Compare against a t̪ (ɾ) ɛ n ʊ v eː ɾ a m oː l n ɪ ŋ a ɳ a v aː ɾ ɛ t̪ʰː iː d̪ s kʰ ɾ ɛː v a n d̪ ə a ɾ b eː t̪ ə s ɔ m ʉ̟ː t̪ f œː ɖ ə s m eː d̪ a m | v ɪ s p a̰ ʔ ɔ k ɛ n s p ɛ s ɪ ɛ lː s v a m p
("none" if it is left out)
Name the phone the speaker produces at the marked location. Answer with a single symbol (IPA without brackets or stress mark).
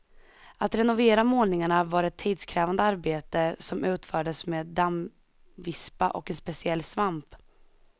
ɾ